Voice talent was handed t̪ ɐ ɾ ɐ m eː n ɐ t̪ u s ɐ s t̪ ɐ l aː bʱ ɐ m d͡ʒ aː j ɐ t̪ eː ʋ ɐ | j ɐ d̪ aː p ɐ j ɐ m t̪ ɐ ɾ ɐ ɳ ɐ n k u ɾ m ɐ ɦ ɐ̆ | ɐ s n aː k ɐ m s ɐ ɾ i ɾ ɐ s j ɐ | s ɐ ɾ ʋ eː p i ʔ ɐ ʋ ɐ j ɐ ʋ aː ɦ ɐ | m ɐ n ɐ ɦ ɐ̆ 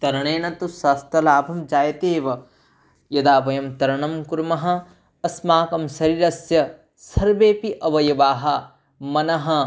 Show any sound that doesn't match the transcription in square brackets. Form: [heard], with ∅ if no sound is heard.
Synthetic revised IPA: t̪ ɐ ɾ ɐ [ɳ] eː n ɐ t̪ u s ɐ s t̪ ɐ l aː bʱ ɐ m d͡ʒ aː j ɐ t̪ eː ʋ ɐ | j ɐ d̪ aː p ɐ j ɐ m t̪ ɐ ɾ ɐ ɳ ɐ [m] k u ɾ m ɐ ɦ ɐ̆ | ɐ s [m] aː k ɐ m s ɐ ɾ i ɾ ɐ s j ɐ | s ɐ ɾ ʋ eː p i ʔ ɐ ʋ ɐ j ɐ ʋ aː ɦ ɐ | m ɐ n ɐ ɦ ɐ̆